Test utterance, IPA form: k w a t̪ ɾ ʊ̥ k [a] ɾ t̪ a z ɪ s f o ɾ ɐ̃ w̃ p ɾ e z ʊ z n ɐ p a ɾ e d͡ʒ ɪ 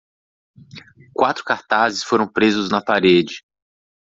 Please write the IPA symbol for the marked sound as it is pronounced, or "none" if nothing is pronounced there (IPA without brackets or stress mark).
a